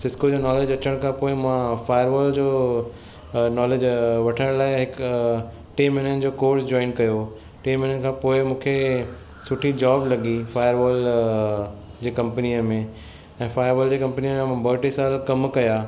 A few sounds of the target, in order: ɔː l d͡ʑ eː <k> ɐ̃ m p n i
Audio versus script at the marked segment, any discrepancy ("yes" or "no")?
no